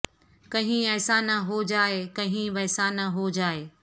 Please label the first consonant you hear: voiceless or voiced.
voiceless